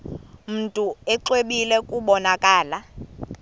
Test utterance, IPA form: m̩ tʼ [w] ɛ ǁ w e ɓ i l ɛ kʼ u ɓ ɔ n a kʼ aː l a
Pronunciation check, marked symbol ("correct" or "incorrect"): incorrect